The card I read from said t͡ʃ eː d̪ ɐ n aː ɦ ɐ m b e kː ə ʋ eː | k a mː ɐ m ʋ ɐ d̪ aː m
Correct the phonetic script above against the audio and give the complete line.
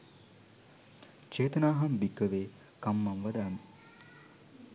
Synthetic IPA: t͡ʃ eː t̪ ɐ n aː ɦ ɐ m b i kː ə ʋ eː | k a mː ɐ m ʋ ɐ d̪ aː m